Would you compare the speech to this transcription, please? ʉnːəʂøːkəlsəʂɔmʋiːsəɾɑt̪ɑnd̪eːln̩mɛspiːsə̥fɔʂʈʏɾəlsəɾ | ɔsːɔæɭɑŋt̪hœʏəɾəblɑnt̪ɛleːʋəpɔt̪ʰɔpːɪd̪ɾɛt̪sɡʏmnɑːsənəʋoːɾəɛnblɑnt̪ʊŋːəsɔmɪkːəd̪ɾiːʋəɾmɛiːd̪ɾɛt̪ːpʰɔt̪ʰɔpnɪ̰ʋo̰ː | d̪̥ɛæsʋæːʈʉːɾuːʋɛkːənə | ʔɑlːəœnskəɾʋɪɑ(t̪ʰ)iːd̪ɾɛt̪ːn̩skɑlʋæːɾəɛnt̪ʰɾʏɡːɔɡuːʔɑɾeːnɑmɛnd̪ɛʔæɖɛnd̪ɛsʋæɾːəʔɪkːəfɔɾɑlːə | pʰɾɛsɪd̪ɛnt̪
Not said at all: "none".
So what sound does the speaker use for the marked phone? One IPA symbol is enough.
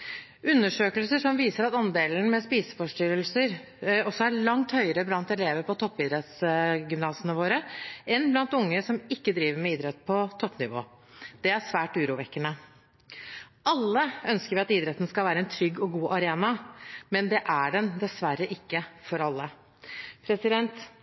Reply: t̪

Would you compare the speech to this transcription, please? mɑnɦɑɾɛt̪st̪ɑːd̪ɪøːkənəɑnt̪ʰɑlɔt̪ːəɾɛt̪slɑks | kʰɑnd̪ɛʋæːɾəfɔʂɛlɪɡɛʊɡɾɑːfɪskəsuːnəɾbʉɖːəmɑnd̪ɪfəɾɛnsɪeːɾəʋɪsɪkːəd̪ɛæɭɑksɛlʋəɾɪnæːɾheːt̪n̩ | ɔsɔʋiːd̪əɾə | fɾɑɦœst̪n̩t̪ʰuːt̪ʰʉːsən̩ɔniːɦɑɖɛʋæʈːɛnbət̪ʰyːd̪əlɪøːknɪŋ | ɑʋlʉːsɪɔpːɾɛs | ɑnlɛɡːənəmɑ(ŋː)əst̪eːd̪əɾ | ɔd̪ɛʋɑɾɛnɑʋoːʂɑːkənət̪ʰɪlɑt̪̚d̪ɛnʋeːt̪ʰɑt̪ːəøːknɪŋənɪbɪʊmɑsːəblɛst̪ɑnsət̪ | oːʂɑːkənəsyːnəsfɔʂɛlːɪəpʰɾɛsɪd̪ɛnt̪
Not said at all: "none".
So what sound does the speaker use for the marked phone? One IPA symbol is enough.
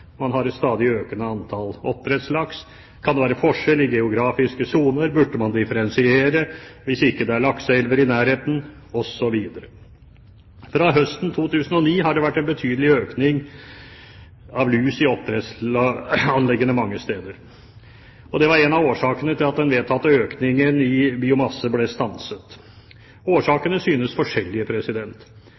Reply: ŋː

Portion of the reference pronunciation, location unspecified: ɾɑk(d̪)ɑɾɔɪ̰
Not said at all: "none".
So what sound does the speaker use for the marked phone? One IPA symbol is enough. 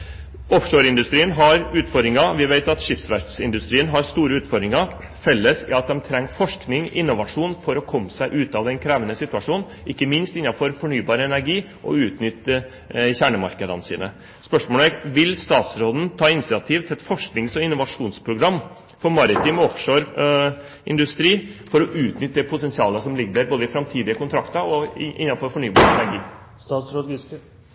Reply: t̪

